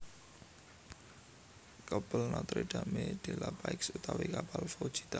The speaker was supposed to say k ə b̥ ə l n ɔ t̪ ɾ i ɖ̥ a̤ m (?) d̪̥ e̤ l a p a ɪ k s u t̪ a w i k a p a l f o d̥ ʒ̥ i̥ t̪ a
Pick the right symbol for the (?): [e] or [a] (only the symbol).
e